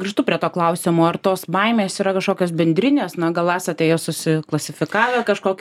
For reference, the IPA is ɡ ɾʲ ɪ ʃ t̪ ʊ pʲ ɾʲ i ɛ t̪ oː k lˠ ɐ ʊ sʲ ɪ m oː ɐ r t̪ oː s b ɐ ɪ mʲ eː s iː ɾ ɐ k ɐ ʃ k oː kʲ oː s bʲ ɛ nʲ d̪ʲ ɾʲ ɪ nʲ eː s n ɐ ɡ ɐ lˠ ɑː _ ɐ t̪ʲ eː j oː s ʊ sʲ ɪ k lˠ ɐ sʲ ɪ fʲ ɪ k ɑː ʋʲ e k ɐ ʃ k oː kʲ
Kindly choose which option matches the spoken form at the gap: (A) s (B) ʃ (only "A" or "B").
A